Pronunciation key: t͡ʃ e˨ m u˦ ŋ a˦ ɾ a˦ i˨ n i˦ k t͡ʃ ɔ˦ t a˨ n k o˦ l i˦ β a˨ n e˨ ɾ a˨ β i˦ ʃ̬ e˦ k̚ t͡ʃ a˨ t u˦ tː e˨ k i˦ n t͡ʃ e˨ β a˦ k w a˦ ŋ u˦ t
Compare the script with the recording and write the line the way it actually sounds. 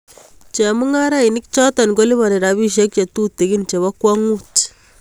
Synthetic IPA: t͡ʃ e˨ m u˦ ŋ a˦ ɾ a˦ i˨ n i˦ k t͡ʃ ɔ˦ t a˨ n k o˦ l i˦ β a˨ n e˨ ɾ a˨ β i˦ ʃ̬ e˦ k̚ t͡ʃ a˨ t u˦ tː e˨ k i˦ n t͡ʃ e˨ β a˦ k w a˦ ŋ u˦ t